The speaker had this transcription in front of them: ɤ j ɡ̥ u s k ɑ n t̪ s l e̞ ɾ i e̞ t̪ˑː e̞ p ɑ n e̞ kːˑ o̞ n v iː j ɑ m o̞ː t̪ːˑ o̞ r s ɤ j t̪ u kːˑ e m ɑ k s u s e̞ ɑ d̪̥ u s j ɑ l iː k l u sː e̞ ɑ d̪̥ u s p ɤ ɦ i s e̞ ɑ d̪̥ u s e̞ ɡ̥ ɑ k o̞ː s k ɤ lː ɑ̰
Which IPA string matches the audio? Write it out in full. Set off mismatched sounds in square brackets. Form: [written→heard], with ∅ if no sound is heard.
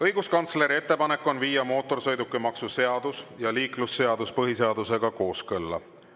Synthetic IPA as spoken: ɤ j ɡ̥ u s k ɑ n t̪ s l e̞ ɾ i e̞ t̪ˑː e̞ p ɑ n e̞ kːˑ o̞ n v iː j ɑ m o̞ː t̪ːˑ o̞ r s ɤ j [t̪→d̪] u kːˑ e m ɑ k s u s e̞ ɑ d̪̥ u s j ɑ l iː k l u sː e̞ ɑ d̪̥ u s p ɤ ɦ i s e̞ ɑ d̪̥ u s e̞ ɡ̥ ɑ k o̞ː s k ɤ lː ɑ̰